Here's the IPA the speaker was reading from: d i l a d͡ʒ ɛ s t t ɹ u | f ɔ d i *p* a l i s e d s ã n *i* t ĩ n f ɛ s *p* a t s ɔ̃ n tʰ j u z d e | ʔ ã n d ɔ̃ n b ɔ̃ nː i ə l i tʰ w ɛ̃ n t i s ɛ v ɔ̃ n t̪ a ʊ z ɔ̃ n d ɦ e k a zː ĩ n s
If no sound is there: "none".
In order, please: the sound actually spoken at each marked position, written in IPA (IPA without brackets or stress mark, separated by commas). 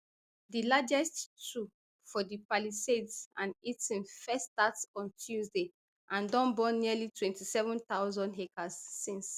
p, i, t